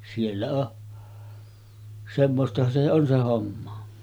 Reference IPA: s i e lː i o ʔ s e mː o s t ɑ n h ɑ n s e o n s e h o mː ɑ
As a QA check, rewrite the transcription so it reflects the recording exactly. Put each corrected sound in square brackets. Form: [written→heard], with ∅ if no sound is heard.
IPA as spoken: s i e lː [i→æ] o ʔ s e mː o s t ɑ [n→∅] h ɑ n s e o n s e h o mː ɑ